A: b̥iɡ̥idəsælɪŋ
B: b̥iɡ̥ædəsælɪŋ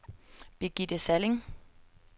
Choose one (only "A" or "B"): A